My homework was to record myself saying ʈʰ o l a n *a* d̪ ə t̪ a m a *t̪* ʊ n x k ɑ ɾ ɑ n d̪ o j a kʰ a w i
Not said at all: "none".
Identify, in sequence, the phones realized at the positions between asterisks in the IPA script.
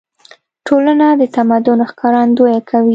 a, d̪

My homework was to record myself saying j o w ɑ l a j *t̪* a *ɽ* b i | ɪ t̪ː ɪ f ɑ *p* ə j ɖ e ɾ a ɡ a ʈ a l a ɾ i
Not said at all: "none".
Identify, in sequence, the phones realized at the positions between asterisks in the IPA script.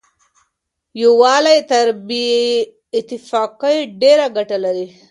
t̪, ɾ, q

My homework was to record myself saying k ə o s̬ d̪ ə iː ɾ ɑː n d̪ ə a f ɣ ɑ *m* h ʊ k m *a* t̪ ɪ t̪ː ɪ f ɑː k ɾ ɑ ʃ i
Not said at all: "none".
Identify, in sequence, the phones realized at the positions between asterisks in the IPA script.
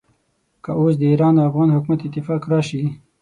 n, a

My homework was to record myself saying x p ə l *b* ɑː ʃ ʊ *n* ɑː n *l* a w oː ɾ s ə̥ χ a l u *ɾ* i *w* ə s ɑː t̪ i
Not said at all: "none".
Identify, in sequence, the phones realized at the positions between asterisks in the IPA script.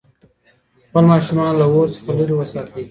m, m, l, ɾ, w

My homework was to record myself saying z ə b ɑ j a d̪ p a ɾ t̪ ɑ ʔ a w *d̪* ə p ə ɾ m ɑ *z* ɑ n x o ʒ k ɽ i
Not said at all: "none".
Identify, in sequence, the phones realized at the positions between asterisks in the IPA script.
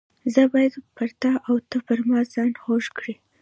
t̪, z

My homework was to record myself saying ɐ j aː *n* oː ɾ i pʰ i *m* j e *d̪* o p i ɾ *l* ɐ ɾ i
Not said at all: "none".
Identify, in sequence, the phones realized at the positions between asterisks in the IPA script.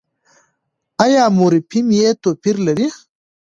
m, m, t̪, l

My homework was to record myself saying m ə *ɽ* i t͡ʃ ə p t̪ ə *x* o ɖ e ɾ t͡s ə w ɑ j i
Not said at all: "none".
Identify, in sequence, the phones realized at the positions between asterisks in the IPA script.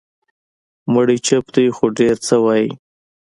ɽ, x

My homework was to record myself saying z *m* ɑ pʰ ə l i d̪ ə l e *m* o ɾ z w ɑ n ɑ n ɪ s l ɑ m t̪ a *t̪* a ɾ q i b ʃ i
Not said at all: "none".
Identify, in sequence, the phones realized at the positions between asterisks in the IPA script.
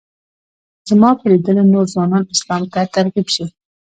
m, n, t̪

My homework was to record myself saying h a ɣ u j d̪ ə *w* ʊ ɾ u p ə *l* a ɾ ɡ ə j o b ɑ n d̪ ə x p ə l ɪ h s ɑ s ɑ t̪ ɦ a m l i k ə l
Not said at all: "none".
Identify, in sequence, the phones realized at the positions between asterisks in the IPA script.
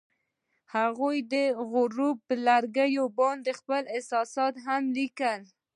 ɣ, l

